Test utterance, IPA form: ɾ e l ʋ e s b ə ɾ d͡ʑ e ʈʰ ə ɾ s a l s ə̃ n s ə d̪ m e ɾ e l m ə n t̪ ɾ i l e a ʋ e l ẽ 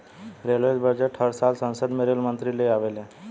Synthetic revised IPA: ɾ e l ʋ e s b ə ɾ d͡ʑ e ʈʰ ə ɾ s a l s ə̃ n s ə d̪ m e ɾ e l m ə n t̪ ɾ i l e a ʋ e l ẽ